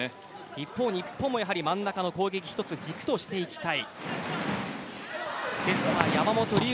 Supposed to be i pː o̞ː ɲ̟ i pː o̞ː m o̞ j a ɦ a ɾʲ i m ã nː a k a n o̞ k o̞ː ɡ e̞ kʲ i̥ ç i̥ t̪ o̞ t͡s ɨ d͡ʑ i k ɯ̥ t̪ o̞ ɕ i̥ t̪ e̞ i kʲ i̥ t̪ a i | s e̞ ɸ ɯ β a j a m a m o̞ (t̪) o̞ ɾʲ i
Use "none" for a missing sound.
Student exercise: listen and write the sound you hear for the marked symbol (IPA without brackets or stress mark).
t̪